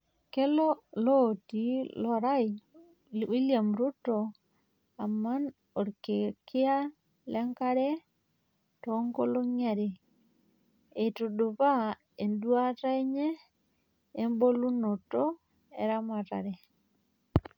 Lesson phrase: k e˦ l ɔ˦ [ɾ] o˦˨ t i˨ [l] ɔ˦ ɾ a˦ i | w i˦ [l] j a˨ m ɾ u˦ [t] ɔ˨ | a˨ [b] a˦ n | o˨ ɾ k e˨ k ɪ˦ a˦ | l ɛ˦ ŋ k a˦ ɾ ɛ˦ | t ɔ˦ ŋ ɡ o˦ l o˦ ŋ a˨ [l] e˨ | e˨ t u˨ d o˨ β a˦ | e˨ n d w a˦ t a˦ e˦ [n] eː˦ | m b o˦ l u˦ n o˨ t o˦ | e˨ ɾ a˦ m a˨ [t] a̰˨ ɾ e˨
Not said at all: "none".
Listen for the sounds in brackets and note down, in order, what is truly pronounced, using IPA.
l, l, l, t, m, ɾ, ɲ, t

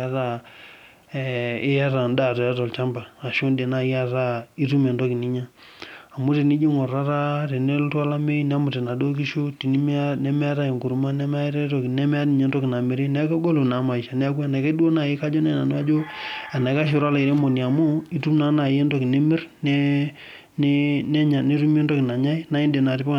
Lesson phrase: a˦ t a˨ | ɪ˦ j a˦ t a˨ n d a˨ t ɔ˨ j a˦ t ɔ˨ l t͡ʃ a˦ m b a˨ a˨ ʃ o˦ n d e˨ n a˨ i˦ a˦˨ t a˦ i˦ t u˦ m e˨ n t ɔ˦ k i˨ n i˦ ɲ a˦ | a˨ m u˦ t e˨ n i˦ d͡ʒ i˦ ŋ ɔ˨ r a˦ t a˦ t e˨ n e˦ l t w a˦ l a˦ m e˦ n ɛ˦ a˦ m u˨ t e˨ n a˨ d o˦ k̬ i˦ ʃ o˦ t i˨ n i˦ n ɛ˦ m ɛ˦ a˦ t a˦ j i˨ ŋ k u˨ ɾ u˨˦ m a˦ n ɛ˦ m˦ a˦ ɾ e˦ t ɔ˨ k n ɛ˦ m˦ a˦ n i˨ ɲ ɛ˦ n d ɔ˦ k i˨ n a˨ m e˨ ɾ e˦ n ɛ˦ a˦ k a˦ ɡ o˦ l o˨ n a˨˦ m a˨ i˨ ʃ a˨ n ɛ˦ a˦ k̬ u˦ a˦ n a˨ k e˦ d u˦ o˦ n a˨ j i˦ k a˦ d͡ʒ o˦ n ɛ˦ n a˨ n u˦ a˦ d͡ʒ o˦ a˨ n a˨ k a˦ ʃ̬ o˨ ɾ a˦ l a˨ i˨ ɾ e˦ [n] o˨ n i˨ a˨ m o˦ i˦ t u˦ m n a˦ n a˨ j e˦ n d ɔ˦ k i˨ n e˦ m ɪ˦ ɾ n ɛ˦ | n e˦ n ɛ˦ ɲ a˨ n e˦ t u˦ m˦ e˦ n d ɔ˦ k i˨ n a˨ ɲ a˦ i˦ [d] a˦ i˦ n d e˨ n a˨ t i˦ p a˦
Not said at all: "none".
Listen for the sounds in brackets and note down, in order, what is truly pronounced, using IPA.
m, n

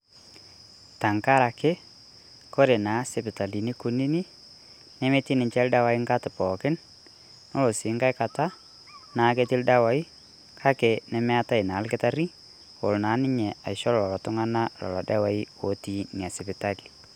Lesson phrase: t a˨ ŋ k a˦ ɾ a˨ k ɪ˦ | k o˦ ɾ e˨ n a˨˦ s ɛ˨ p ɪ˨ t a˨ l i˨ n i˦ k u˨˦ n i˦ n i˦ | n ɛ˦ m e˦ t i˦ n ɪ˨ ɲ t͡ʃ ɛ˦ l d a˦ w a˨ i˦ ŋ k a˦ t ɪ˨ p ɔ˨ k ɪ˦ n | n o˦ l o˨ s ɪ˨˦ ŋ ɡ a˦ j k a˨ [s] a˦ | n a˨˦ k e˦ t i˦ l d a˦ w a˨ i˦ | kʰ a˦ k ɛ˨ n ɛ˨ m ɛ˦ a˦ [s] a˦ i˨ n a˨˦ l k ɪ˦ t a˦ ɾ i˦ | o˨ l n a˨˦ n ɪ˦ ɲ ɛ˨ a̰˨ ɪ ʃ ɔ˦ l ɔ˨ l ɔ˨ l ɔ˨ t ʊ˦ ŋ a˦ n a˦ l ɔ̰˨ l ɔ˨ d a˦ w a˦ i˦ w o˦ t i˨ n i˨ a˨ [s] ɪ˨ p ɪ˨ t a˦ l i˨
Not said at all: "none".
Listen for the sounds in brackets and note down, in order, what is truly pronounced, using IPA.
t, t, s

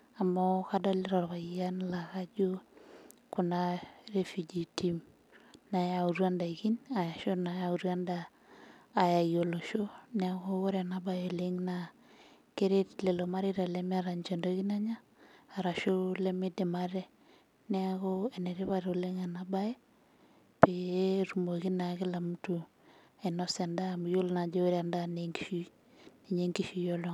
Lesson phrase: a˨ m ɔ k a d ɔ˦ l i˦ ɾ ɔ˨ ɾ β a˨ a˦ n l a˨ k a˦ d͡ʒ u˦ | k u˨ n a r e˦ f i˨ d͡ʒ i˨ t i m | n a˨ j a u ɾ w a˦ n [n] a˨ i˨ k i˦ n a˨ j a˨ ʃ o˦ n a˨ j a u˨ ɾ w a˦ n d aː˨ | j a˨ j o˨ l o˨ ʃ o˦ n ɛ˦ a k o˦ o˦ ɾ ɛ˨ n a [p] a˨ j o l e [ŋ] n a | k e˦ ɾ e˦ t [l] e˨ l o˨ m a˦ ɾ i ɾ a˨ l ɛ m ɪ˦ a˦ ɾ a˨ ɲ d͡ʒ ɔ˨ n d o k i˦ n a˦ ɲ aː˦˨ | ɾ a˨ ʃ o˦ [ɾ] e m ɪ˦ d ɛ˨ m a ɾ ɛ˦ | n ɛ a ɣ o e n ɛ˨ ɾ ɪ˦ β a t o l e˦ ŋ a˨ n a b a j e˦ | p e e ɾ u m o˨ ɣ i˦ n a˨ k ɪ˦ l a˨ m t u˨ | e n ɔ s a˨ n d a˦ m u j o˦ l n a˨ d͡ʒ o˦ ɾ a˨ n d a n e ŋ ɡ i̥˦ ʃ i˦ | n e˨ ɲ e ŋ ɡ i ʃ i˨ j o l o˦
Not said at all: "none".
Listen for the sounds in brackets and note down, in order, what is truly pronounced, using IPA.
d, b, ŋ, l, l

